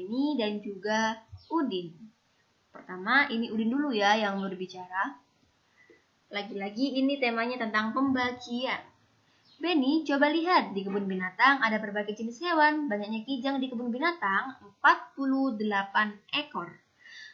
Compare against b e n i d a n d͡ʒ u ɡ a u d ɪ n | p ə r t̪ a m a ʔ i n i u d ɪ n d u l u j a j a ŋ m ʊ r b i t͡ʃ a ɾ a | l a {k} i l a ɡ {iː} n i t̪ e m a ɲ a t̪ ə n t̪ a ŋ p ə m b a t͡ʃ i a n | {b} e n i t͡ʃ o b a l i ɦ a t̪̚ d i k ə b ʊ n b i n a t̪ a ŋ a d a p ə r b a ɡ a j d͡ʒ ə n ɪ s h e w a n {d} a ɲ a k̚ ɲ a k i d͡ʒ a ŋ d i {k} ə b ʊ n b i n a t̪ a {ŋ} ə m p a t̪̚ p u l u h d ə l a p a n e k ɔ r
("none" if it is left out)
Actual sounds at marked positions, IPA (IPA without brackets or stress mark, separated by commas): ɡ, iː, b, b, k, ŋ